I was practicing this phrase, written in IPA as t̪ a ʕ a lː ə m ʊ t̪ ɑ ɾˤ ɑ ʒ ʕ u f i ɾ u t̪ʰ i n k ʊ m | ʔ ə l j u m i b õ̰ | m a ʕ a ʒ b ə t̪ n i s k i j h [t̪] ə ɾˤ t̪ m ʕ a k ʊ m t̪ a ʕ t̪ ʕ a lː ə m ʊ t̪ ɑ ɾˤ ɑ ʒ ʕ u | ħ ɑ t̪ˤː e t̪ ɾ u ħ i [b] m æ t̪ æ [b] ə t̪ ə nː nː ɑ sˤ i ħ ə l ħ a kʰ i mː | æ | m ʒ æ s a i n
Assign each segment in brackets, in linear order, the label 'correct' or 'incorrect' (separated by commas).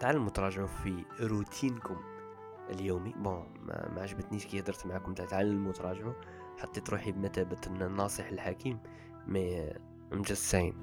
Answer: incorrect, correct, correct